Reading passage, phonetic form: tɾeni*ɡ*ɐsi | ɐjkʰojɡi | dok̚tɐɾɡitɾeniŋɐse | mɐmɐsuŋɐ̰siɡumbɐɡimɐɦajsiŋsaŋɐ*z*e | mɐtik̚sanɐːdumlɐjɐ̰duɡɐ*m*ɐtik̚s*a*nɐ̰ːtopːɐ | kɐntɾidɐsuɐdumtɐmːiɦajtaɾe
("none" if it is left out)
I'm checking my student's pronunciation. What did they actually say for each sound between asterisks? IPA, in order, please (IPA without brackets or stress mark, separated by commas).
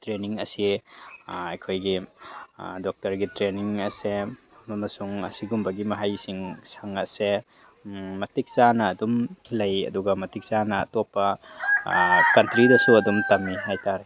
ŋ, s, m, a